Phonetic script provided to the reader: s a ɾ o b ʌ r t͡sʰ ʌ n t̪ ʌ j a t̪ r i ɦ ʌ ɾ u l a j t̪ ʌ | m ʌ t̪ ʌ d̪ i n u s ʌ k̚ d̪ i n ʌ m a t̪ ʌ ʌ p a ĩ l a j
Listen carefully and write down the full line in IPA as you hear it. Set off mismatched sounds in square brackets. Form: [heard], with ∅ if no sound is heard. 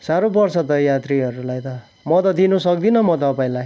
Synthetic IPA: s a ɾ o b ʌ r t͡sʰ ʌ [∅] t̪ ʌ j a t̪ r i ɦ ʌ ɾ u l a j t̪ ʌ | m ʌ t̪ ʌ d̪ i n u s ʌ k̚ d̪ i n ʌ m [ʌ] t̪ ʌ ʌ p a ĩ l a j